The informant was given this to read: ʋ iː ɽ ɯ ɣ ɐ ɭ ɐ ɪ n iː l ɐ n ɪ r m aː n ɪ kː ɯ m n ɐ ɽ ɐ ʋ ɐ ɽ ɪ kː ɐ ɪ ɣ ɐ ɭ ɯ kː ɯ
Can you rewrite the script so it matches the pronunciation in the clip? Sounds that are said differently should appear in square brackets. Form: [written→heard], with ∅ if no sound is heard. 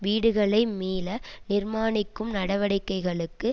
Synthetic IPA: ʋ iː ɽ ɯ ɣ ɐ ɭ ɐ ɪ [n→m] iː l ɐ n ɪ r m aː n ɪ kː ɯ m n ɐ ɽ ɐ ʋ ɐ ɽ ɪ kː ɐ ɪ ɣ ɐ ɭ ɯ kː ɯ